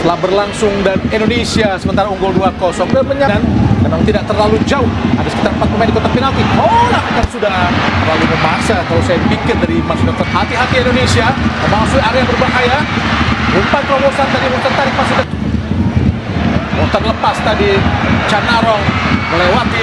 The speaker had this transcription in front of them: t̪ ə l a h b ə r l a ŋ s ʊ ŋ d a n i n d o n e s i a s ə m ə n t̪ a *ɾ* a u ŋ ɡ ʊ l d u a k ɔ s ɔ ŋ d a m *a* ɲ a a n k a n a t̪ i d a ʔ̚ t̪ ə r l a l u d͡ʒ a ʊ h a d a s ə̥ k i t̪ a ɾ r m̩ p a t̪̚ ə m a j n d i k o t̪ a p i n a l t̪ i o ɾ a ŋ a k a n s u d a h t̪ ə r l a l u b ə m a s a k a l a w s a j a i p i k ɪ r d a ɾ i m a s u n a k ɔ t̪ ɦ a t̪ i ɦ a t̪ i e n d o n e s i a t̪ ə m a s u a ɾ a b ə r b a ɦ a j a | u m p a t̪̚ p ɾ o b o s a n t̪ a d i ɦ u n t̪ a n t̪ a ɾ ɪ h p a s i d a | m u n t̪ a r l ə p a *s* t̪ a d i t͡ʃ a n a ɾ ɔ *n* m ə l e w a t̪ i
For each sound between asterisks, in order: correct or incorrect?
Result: correct, incorrect, correct, incorrect

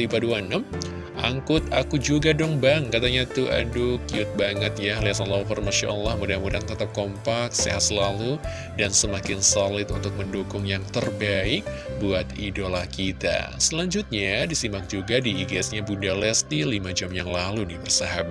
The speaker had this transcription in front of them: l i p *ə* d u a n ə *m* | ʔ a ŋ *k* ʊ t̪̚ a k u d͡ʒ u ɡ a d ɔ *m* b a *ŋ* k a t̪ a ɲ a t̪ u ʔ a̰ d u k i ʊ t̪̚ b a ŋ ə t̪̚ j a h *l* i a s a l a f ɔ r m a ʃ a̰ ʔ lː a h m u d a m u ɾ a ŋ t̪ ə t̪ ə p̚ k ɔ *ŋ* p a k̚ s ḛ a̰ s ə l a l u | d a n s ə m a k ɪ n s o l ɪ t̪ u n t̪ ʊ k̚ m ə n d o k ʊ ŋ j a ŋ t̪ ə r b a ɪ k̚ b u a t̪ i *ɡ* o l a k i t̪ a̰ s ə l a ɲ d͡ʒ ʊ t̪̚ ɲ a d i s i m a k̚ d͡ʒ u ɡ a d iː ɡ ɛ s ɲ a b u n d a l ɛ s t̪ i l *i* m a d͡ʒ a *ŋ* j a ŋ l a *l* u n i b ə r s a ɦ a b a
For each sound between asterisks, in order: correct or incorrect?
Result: incorrect, correct, correct, incorrect, correct, correct, incorrect, incorrect, correct, incorrect, correct

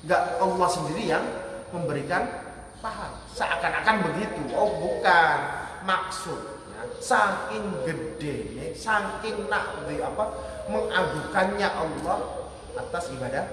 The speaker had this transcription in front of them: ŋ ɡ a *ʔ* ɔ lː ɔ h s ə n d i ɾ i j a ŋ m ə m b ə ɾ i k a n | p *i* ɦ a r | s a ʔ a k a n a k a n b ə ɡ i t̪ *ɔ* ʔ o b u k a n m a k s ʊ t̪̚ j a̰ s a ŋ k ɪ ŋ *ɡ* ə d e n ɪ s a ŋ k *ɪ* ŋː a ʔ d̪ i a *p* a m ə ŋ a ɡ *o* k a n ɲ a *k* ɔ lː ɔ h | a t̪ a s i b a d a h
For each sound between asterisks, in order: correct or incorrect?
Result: correct, incorrect, incorrect, correct, correct, correct, incorrect, incorrect

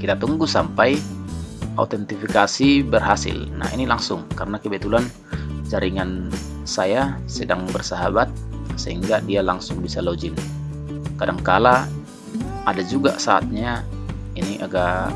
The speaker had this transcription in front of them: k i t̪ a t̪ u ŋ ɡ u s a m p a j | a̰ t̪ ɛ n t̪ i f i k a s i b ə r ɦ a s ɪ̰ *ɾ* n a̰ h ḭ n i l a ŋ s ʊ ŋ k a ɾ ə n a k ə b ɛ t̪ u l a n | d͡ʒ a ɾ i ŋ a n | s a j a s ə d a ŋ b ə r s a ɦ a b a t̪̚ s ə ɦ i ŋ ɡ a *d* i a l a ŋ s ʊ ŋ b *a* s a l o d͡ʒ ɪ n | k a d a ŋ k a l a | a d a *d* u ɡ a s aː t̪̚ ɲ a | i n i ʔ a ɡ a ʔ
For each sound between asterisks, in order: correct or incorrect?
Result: incorrect, correct, incorrect, incorrect

